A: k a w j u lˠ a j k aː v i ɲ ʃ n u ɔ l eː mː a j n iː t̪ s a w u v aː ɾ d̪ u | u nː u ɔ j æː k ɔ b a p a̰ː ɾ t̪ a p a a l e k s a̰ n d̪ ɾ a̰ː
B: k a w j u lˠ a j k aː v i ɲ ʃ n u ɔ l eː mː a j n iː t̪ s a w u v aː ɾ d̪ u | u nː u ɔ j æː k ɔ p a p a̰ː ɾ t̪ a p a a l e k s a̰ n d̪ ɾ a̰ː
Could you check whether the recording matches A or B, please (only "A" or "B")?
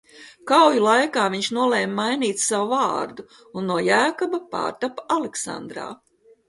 A